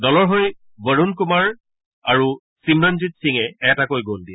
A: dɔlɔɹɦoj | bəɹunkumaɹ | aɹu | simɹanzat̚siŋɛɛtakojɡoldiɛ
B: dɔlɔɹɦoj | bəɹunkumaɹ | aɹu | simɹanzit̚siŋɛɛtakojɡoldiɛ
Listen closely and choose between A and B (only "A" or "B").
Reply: B